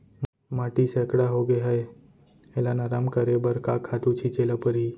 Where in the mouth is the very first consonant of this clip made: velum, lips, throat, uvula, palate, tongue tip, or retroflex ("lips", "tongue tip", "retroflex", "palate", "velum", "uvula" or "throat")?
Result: lips